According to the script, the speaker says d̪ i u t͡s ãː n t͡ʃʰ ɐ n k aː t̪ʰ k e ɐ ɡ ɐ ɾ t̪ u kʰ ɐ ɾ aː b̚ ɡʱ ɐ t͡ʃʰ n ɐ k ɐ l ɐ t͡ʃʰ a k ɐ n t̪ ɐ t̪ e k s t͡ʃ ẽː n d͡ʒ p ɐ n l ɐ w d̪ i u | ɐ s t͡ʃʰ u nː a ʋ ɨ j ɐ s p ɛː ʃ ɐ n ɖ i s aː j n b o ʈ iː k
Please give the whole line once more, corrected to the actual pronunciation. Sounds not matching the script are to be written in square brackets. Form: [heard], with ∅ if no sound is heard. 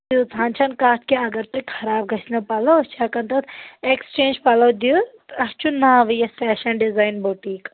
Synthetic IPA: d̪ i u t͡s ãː n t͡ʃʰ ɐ n k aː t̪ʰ k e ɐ ɡ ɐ ɾ t̪ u kʰ ɐ ɾ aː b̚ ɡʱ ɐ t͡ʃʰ n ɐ [p] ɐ l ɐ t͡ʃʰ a k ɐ n t̪ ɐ t̪ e k s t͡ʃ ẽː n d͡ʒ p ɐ [∅] l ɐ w d̪ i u | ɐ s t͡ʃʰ u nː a ʋ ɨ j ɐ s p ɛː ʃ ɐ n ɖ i [z] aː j n b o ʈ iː k